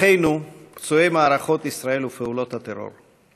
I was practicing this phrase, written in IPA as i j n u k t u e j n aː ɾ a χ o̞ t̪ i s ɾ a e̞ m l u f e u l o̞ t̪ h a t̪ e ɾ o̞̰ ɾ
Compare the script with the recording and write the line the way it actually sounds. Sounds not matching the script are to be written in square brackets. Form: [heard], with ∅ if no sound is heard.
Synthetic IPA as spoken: [e] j n u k [t͡s] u e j [m] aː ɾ a χ o̞ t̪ i s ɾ a e̞ [∅] l u f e u l o̞ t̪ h a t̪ e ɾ o̞̰ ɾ